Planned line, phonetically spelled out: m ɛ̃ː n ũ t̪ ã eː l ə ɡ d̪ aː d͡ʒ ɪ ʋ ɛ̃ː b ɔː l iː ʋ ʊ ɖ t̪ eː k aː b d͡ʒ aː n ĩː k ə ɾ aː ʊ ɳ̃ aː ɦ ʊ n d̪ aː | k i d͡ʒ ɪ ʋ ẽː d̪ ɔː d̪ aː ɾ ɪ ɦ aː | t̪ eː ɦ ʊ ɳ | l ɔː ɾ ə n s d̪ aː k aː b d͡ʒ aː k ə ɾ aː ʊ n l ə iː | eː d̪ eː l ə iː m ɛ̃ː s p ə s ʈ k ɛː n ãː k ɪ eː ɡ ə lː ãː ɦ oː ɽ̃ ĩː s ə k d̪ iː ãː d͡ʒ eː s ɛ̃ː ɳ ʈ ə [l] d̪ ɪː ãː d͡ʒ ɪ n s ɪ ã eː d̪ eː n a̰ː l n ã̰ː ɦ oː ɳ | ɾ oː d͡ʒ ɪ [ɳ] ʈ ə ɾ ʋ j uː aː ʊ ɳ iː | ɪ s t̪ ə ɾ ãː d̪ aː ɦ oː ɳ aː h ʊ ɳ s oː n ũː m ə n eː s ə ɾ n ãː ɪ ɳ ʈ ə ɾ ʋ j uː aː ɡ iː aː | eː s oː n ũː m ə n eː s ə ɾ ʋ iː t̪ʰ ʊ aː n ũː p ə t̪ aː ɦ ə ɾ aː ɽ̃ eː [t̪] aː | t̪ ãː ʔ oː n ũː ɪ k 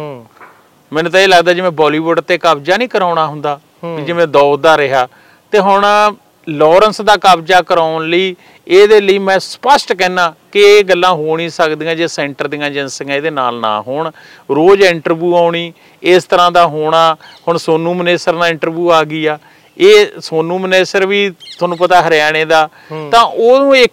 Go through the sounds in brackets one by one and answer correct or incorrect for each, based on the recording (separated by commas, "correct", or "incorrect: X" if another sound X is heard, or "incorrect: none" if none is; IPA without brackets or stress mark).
incorrect: ɾ, correct, incorrect: d̪